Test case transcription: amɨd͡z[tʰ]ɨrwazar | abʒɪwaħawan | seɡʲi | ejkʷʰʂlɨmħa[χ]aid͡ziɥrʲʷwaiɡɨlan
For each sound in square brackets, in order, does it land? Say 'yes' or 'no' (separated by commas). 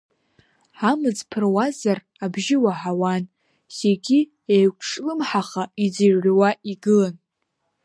no, yes